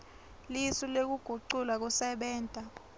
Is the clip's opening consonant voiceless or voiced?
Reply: voiced